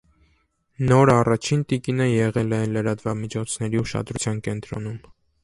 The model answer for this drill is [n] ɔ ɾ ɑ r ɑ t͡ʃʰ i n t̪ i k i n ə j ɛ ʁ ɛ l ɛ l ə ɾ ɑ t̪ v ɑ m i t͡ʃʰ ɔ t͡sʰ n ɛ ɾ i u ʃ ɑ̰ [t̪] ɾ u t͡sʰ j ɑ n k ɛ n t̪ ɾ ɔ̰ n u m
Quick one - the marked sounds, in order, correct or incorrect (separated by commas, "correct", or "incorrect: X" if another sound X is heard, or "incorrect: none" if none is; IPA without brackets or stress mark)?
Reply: correct, incorrect: d̪